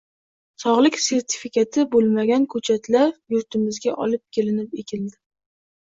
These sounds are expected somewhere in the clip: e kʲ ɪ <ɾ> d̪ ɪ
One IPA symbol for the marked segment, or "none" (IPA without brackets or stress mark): l